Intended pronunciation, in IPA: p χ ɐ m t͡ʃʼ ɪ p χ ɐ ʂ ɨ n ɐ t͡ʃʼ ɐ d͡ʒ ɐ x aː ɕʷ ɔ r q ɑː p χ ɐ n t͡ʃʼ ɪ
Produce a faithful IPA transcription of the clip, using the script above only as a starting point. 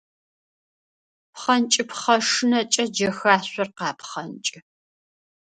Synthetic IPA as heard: p χ ɐ n t͡ʃʼ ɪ p χ ɐ ʂ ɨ n ɐ t͡ʃʼ ɐ d͡ʒ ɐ x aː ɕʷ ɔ r q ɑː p χ ɐ n t͡ʃʼ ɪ